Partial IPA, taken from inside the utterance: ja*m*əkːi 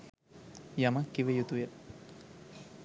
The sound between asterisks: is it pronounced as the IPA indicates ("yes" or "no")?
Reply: yes